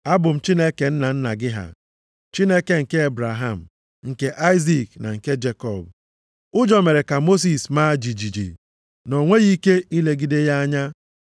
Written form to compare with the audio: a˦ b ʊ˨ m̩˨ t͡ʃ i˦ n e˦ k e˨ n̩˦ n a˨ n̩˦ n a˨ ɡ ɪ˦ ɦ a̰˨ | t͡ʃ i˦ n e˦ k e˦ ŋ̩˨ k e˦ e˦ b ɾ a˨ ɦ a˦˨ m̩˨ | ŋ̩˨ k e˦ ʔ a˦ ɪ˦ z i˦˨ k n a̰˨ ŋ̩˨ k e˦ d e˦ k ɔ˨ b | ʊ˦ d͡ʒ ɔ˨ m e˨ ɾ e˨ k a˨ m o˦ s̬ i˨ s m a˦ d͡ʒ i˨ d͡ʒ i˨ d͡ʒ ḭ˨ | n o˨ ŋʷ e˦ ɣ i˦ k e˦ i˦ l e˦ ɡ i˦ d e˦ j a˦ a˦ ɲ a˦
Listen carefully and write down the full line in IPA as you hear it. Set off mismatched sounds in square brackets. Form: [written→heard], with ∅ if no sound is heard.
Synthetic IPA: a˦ b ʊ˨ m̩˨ t͡ʃ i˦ n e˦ k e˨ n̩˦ n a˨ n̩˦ n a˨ ɡ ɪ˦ ɦ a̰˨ | t͡ʃ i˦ n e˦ k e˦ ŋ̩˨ k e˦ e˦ b ɾ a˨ ɦ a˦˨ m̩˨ | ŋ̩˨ k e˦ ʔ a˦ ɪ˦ z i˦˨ k n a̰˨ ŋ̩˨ k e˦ [d→d͡ʒ] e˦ k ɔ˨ b | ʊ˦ d͡ʒ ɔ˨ m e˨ ɾ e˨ k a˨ m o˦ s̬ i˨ s m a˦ d͡ʒ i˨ d͡ʒ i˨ d͡ʒ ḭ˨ | n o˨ ŋʷ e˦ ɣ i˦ k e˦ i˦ l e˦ ɡ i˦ d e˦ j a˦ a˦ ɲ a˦